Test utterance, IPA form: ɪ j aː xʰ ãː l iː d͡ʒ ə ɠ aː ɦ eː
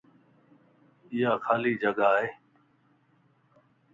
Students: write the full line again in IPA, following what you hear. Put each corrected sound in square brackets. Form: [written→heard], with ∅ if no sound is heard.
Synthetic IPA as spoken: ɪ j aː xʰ [ãː→aː] l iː d͡ʒ ə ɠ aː ɦ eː